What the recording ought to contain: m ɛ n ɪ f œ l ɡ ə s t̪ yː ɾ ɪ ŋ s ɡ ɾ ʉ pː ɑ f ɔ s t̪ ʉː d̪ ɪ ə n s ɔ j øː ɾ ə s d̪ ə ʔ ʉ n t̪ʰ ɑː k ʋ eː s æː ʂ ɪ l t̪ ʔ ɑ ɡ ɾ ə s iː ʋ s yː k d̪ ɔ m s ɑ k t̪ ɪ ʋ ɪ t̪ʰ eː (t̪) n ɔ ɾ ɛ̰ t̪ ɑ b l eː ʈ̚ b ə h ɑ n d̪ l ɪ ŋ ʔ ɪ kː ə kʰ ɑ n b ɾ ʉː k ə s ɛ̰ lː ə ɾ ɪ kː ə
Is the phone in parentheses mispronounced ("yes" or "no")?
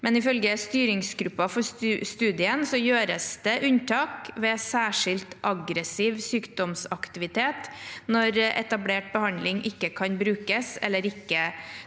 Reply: no